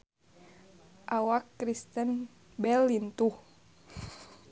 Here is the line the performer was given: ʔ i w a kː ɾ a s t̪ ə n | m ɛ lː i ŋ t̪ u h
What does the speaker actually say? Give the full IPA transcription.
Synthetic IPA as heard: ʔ a w a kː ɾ i s t̪ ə n | b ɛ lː i n t̪ u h